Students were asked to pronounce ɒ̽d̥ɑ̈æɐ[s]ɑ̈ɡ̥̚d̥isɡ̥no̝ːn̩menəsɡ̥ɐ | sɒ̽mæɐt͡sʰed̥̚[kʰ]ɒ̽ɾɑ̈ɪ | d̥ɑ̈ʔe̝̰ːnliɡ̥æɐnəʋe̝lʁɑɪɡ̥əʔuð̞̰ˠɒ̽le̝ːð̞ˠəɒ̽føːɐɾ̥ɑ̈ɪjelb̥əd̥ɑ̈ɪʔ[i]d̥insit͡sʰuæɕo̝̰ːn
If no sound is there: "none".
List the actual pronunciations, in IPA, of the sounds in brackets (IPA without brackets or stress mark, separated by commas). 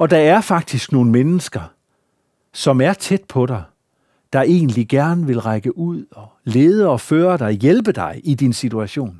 f, pʰ, i